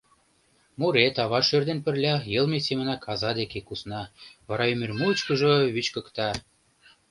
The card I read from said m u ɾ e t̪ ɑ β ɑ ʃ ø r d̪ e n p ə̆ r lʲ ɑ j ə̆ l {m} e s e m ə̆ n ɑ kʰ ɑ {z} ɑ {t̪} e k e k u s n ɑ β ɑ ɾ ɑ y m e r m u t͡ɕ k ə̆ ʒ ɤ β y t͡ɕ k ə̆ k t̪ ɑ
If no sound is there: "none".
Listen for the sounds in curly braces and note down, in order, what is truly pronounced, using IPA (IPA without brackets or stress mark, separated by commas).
m, z, d̪